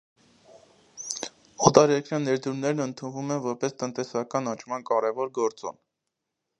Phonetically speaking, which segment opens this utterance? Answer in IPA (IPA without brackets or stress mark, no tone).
ɔ